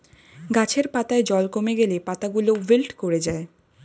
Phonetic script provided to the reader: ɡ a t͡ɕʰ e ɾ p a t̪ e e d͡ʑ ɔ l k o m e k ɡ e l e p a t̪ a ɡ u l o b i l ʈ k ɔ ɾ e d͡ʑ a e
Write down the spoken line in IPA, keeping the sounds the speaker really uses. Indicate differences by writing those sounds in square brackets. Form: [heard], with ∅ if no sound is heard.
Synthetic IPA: ɡ a t͡ɕʰ e ɾ p a t̪ [a] e d͡ʑ ɔ l k o m e [∅] ɡ e l e p a t̪ a ɡ u l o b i l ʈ k [o] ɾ e d͡ʑ a e

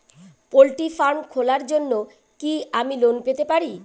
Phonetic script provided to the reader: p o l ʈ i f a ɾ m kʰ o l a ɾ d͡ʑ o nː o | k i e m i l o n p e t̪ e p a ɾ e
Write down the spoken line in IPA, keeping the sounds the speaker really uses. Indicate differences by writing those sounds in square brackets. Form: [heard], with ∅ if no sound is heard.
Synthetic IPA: p o l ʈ i f a ɾ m kʰ o l a ɾ d͡ʑ o nː o | k i [a] m i l o n p e t̪ e p a ɾ [i]

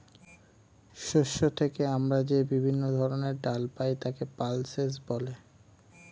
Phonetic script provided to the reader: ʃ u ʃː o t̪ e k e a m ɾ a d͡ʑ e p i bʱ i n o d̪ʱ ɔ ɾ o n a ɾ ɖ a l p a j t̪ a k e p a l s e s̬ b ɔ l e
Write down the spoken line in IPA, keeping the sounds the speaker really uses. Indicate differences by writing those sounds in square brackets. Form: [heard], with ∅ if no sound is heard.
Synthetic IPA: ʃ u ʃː o [t̪ʰ] e k e a m ɾ a d͡ʑ e [b] i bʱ i [nː] o d̪ʱ ɔ ɾ o n [e] ɾ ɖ a l p a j t̪ a k e p a l s e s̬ b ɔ l e

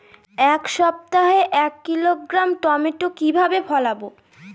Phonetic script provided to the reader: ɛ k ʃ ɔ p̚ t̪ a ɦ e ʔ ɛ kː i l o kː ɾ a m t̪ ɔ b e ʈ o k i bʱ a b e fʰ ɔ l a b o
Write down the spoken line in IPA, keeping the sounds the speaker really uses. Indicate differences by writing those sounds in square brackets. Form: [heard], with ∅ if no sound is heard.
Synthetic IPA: ɛ k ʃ ɔ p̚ t̪ a ɦ e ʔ ɛ kː i l o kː ɾ a m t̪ ɔ [m] e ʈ o k i bʱ a b e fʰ ɔ l a b o

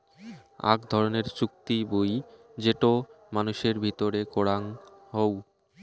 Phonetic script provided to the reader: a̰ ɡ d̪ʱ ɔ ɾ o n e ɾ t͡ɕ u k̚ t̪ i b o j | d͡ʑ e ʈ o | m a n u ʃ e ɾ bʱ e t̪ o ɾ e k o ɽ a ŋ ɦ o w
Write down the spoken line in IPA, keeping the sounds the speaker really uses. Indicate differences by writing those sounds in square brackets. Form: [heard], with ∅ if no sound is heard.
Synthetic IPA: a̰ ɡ d̪ʱ ɔ ɾ o n e ɾ t͡ɕ u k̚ t̪ i b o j | d͡ʑ e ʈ o | m a n u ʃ e ɾ bʱ [i] t̪ o ɾ e k o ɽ a ŋ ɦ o w

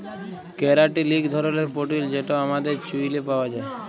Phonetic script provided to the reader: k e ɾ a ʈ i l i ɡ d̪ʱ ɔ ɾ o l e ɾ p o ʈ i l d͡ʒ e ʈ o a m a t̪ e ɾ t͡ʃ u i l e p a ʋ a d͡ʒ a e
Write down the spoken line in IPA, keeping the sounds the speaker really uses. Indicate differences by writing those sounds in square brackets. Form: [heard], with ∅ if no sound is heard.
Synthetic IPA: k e ɾ a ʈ i l i ɡ d̪ʱ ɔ ɾ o l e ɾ p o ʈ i l d͡ʒ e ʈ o a m a [d̪] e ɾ t͡ʃ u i l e p a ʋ a d͡ʒ a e

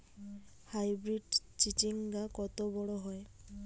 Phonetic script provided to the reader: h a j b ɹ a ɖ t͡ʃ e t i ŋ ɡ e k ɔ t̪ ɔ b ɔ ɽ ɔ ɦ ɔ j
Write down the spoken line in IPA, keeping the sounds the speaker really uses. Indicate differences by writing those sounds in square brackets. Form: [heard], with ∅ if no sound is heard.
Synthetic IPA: h a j b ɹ [i] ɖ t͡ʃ [i] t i ŋ ɡ [a] k ɔ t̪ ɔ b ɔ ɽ ɔ ɦ ɔ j

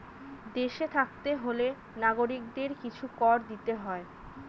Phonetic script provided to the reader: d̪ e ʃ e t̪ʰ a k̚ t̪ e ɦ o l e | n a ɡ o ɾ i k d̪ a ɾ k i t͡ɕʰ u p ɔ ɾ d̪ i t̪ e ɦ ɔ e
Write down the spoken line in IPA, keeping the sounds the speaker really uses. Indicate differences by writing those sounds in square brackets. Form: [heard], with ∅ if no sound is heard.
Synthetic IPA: d̪ e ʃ e t̪ʰ a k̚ t̪ e ɦ o l e | n a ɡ o ɾ i k d̪ [e] ɾ k i t͡ɕʰ u [k] ɔ ɾ d̪ i t̪ e ɦ ɔ e

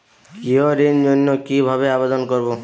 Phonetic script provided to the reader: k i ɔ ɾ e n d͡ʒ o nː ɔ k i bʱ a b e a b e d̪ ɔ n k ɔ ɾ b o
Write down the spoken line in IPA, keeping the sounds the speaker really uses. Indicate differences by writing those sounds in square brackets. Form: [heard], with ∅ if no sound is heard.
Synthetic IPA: k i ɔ ɾ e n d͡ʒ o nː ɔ k i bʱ a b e a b e d̪ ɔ n k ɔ ɾ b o

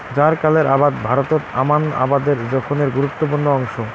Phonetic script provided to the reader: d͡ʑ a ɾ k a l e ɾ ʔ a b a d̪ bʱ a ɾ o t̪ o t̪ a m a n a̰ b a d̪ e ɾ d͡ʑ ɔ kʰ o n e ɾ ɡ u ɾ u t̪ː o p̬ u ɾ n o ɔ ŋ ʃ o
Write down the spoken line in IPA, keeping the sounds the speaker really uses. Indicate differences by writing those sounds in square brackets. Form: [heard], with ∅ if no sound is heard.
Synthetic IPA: d͡ʑ a ɾ k a l e ɾ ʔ a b a d̪ bʱ a ɾ o t̪ o t̪ a m a n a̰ b a d̪ e ɾ d͡ʑ ɔ kʰ o n e ɾ ɡ u ɾ u t̪ː o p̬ u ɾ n o ɔ ŋ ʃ o

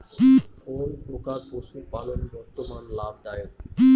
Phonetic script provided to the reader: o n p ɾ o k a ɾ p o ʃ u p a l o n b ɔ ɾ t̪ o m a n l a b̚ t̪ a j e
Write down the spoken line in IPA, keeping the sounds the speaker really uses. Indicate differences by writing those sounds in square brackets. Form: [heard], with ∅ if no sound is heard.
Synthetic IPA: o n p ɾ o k a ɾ p o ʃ u p a l o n b ɔ ɾ t̪ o m a n l a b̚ [d̪] a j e

